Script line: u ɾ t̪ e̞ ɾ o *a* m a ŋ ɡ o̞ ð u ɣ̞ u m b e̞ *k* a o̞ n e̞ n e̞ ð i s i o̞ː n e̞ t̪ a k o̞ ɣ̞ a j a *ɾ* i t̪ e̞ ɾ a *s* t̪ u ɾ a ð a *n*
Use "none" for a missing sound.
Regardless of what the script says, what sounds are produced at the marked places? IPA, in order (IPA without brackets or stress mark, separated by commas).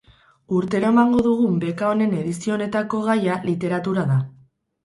e, k, l, none, none